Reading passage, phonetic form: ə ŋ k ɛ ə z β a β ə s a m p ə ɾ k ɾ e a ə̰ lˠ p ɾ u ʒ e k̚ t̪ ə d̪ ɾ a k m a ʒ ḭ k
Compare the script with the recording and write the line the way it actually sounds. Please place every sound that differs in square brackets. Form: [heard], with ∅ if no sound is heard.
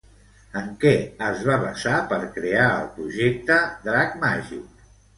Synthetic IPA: ə ŋ k ɛ ə z β a β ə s a [∅] p ə ɾ k ɾ e a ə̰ lˠ p ɾ u ʒ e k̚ t̪ ə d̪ ɾ a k m a ʒ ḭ k